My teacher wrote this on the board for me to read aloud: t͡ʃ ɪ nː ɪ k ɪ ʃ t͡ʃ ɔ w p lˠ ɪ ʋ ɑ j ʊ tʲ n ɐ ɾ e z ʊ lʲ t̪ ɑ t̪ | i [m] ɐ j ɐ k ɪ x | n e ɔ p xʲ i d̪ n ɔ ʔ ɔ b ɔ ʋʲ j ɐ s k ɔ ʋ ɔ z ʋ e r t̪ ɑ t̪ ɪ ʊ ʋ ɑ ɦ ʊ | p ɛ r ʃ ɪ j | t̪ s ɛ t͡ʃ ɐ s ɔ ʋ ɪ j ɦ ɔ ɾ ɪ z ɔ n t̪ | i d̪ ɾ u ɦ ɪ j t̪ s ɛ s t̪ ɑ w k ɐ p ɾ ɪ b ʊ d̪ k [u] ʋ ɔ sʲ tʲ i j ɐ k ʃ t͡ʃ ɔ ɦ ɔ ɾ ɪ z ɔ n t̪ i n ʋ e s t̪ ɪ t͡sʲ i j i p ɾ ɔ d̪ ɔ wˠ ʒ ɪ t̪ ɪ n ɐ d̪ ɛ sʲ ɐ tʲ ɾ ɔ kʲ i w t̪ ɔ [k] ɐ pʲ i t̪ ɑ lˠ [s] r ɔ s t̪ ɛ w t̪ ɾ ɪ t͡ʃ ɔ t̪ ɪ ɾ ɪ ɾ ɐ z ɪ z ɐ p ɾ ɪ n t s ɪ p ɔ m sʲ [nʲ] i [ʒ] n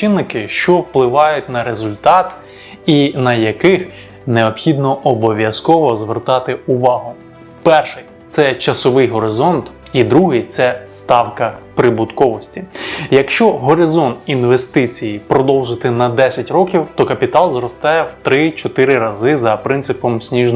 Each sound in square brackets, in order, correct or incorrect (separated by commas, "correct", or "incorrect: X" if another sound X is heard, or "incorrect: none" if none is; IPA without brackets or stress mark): incorrect: n, incorrect: ɔ, correct, incorrect: z, correct, correct